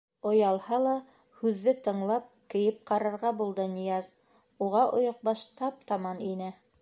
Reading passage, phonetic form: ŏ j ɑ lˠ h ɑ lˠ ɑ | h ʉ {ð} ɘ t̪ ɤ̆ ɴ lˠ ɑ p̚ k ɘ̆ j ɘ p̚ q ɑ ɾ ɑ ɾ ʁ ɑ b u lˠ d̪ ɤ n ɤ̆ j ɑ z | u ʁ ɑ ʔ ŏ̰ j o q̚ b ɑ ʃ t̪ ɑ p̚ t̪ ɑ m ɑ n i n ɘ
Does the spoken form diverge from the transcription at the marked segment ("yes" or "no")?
yes